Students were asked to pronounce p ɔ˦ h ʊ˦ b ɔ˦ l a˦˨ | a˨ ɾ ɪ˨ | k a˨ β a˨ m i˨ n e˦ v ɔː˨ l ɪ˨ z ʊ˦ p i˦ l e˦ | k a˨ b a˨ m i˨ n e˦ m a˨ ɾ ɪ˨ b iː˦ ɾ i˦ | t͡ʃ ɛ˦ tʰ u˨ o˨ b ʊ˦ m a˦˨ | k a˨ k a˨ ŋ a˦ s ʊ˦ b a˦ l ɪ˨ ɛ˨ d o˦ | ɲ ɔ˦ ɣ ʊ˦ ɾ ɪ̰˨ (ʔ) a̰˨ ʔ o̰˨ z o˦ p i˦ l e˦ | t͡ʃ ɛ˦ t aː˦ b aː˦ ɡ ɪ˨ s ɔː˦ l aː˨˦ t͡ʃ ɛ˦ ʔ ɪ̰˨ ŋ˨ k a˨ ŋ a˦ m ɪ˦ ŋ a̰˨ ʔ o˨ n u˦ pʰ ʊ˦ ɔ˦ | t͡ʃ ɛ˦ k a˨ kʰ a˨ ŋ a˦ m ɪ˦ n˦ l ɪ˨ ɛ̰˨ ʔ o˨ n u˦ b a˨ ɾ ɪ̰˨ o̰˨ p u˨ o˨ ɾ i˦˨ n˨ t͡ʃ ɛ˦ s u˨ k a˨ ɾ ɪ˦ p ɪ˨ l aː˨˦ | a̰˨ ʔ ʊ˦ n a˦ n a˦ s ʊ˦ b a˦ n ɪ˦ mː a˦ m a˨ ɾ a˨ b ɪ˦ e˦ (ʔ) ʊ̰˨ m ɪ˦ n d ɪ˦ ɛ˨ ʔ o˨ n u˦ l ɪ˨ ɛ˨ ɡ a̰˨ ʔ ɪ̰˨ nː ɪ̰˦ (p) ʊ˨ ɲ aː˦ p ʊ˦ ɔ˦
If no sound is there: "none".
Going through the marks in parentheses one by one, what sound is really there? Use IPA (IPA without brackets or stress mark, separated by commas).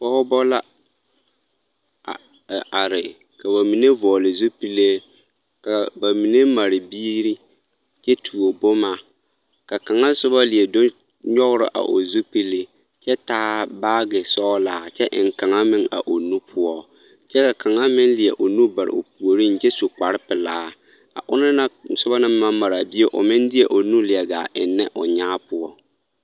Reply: ʔ, ʔ, ʔ